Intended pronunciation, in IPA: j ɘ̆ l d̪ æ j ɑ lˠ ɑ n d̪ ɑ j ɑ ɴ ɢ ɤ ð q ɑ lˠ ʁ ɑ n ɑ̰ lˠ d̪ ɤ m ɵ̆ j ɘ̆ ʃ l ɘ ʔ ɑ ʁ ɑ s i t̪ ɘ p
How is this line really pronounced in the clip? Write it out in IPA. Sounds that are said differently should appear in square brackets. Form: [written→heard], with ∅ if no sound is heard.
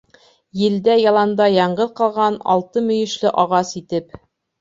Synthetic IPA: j ɘ̆ l d̪ æ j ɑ lˠ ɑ n d̪ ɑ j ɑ ɴ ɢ ɤ ð q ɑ lˠ ʁ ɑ n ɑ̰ lˠ [d̪→t̪] ɤ m ɵ̆ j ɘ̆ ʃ l ɘ ʔ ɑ ʁ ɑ s i t̪ ɘ p

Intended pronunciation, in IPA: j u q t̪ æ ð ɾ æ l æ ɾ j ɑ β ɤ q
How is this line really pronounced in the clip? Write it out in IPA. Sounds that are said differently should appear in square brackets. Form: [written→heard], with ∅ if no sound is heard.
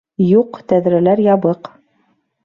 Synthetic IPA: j u q t̪ æ ð ɾ æ l æ ɾ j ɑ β ɤ q

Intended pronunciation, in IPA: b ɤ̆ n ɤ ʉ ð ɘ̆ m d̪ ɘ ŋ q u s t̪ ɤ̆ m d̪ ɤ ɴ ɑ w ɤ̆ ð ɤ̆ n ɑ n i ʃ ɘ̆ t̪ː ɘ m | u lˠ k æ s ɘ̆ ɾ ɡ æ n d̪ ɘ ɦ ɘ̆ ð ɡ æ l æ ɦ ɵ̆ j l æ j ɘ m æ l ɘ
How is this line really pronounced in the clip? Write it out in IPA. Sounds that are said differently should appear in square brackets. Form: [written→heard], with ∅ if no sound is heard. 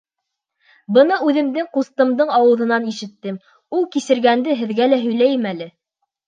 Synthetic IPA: b ɤ̆ n ɤ ʉ ð ɘ̆ m d̪ ɘ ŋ q u s t̪ ɤ̆ m d̪ ɤ ɴ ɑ w ɤ̆ ð ɤ̆ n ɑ n i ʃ ɘ̆ t̪ː ɘ m | u lˠ k [æ→i] s ɘ̆ ɾ ɡ æ n d̪ ɘ ɦ ɘ̆ ð ɡ æ l æ ɦ ɵ̆ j l æ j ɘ m æ l ɘ

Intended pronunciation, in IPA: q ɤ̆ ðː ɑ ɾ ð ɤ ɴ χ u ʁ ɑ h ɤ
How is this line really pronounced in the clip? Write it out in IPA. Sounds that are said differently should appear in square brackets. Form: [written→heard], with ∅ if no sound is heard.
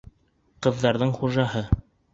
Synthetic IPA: q ɤ̆ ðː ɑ ɾ ð ɤ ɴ χ u [ʁ→ʒ] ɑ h ɤ

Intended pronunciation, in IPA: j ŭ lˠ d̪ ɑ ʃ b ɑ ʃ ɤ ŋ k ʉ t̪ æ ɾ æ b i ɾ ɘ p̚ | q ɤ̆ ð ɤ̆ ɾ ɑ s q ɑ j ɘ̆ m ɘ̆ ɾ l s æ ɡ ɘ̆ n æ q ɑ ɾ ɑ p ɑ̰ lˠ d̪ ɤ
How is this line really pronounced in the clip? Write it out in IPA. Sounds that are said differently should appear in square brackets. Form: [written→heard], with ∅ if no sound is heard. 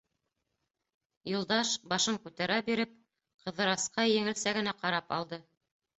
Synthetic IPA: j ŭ lˠ d̪ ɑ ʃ b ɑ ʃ ɤ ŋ k ʉ t̪ æ ɾ æ b i ɾ ɘ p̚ | q ɤ̆ ð ɤ̆ ɾ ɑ s q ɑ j ɘ̆ [m→ŋ] ɘ̆ [ɾ→∅] l s æ ɡ ɘ̆ n æ q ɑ ɾ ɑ p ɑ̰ lˠ d̪ ɤ

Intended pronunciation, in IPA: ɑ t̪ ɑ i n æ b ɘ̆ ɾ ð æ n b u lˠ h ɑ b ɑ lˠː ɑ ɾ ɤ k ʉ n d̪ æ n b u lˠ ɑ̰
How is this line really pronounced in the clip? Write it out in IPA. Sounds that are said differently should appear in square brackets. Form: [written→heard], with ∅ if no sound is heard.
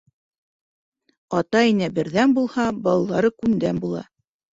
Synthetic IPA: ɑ t̪ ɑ i n æ b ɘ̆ ɾ ð æ n b u lˠ h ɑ b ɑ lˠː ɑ ɾ ɤ k ʉ n d̪ æ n b u lˠ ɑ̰

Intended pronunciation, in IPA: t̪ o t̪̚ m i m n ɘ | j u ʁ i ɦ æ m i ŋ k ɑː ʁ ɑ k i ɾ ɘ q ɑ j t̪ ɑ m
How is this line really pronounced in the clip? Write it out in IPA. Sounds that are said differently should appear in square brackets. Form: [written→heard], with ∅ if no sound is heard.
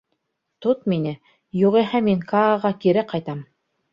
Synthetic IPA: t̪ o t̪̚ m i [m→∅] n ɘ | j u ʁ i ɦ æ m i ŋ k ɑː ʁ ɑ k i ɾ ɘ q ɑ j t̪ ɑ m

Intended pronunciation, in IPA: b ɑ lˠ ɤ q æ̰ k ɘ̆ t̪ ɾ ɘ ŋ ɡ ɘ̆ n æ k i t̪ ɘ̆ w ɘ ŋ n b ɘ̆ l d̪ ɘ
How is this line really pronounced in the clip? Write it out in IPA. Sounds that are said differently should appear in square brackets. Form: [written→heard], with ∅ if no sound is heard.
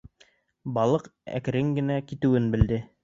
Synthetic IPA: b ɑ lˠ ɤ q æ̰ k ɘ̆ [t̪→∅] ɾ ɘ ŋ ɡ ɘ̆ n æ k i t̪ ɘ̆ w ɘ [ŋ→∅] n b ɘ̆ l d̪ ɘ

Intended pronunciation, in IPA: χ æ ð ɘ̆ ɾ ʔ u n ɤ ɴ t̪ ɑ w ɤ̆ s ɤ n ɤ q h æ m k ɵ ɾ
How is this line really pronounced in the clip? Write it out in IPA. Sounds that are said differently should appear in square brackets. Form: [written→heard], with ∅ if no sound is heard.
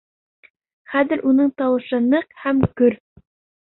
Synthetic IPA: χ æ ð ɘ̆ ɾ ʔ u n ɤ ɴ t̪ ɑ w ɤ̆ [s→ʃ] ɤ n ɤ q h æ m k ɵ ɾ

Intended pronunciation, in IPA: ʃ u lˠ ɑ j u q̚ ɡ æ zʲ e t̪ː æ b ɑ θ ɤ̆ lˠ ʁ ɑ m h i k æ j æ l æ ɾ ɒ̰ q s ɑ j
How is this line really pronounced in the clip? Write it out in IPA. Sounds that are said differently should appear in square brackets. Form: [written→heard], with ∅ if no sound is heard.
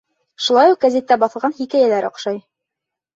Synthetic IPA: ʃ u lˠ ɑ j u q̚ ɡ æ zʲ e t̪ː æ b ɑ θ ɤ̆ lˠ ʁ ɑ [m→n] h i k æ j æ l æ ɾ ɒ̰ q [s→ʃ] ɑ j

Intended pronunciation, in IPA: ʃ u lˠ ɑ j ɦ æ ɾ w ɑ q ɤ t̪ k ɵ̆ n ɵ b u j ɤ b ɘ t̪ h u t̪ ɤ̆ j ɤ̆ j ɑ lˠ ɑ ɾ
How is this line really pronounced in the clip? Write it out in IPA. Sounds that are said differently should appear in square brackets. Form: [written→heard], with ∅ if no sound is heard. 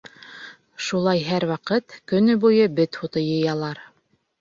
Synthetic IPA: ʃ u lˠ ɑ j ɦ æ ɾ w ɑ q ɤ t̪ k ɵ̆ n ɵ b u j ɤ b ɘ t̪ h u t̪ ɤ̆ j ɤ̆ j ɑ lˠ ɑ ɾ

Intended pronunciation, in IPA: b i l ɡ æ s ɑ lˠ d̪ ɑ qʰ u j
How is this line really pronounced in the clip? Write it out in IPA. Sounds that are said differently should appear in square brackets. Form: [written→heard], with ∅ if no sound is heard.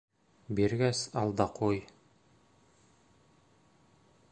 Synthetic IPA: b i [l→ɾ] ɡ æ s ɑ lˠ d̪ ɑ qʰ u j

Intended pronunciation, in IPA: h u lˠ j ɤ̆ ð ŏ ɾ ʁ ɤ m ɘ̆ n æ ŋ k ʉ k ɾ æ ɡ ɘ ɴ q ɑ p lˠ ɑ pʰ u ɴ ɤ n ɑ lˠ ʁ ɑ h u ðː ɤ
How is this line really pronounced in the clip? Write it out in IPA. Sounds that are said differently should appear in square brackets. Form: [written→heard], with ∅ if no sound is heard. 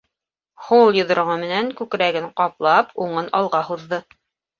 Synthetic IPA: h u lˠ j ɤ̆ ð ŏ ɾ ʁ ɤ m ɘ̆ n æ ŋ k ʉ k ɾ æ ɡ ɘ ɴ q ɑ p lˠ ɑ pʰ u ɴ ɤ n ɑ lˠ ʁ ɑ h u ðː ɤ

